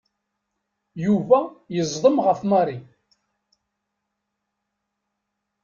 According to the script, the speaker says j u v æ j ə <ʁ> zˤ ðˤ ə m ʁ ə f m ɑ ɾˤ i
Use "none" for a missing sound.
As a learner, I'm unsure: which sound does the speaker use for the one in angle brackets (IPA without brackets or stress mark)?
none